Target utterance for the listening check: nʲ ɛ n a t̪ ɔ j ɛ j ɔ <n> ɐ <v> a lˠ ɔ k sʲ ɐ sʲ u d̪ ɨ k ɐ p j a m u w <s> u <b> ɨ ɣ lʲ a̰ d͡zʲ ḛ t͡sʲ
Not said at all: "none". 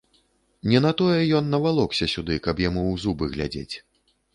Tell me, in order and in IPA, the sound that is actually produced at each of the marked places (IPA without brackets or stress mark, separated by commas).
nː, v, z, b